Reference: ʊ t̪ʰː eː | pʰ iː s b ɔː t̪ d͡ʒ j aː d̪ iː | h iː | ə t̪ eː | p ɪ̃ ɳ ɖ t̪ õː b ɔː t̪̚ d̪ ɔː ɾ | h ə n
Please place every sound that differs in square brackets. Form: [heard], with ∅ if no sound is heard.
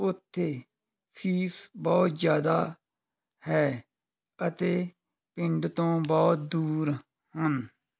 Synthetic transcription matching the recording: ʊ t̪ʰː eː | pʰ iː s b ɔː t̪ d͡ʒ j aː d̪ [aː] | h [ɛː] | ə t̪ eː | p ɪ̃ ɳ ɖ t̪ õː b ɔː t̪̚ d̪ [uː] ɾ | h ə n